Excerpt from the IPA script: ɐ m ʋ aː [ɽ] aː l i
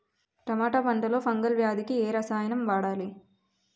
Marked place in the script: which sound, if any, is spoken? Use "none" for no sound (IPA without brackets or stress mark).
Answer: ɽ